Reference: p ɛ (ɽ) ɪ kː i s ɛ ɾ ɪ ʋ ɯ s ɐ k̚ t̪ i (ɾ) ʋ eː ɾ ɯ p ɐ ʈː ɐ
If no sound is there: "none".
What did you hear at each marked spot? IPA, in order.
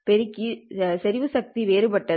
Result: ɾ, none

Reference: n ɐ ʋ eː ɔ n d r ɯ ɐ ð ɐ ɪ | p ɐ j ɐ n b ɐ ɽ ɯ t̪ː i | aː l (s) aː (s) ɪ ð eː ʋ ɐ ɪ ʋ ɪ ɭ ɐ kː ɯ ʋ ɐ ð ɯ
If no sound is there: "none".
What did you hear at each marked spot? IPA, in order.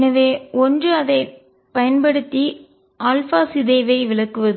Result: f, s

